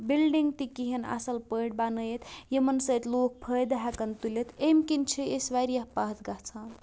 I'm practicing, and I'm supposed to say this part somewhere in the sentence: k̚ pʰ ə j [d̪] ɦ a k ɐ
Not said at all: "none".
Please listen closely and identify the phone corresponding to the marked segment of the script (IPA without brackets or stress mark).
d̪